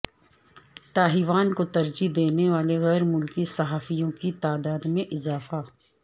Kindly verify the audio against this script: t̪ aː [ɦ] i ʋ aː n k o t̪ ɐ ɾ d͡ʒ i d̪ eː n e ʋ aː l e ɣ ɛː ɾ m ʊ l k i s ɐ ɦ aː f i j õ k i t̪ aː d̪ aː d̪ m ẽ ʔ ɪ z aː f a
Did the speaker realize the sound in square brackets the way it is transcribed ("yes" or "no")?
yes